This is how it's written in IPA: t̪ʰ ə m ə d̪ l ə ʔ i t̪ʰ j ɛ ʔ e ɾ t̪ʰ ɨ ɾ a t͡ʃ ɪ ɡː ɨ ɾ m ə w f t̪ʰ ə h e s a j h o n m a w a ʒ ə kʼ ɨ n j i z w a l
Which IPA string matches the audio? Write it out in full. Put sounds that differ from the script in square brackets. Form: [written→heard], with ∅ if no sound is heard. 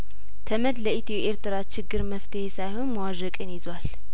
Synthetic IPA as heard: t̪ʰ ə m ə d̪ l ə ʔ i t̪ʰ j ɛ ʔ e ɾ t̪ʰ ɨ ɾ a t͡ʃ ɪ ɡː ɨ ɾ m ə [w→∅] f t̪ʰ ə h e s a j h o n m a w a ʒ ə kʼ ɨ n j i z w a l